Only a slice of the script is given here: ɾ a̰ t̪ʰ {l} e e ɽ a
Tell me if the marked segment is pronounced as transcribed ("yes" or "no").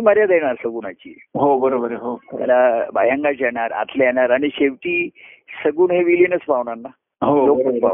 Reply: yes